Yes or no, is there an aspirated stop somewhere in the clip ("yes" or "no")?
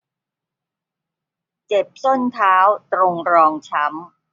yes